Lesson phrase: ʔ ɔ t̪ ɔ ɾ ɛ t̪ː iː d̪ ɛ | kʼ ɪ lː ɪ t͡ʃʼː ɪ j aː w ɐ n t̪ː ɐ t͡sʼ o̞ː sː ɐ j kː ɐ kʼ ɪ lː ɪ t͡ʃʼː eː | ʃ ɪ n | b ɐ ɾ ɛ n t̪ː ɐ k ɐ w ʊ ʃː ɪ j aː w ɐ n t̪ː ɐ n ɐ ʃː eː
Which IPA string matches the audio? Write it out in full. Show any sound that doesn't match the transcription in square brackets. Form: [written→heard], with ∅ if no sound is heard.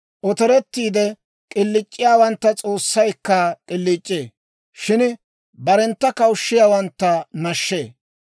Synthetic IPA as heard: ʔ ɔ t̪ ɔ ɾ ɛ t̪ː iː d̪ ɛ | kʼ ɪ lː ɪ t͡ʃʼː ɪ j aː w ɐ n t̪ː ɐ t͡sʼ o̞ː sː ɐ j kː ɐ kʼ ɪ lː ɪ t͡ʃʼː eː | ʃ ɪ n | b ɐ ɾ ɛ n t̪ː ɐ k ɐ w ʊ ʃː ɪ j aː w ɐ n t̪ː ɐ n ɐ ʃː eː